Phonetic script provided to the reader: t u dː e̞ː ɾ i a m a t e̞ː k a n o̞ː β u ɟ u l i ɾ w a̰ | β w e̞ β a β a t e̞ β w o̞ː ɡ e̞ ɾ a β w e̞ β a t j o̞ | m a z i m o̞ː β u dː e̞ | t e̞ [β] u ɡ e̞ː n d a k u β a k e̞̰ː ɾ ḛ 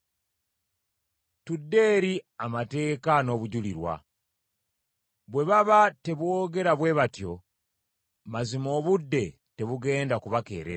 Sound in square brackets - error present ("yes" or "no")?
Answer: no